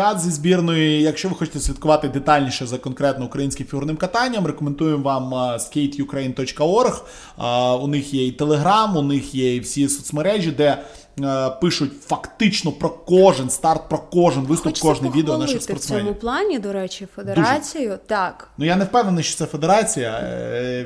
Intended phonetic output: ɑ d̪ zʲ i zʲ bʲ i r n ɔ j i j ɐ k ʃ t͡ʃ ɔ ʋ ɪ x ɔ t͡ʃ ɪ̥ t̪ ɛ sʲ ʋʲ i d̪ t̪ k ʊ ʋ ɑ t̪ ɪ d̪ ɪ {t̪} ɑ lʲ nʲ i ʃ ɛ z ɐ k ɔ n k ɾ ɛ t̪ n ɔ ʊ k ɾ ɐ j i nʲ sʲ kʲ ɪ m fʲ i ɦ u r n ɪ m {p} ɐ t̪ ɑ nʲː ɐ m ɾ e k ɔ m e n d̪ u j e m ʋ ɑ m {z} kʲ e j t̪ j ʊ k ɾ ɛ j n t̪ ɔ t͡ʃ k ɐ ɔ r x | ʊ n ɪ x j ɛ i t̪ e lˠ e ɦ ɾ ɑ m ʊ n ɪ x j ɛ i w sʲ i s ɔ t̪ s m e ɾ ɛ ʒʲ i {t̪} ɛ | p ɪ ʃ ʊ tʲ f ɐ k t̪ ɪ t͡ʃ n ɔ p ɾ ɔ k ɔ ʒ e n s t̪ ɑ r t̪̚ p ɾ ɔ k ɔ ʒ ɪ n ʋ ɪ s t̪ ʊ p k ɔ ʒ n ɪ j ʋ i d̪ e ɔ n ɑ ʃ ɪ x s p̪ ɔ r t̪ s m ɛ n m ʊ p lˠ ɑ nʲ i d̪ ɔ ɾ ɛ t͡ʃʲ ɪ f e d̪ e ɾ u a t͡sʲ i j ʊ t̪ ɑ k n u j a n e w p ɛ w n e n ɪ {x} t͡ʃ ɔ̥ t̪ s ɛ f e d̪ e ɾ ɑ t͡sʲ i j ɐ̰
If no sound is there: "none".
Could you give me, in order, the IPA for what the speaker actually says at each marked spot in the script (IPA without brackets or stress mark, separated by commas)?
t̪, k, s, d̪, ʃ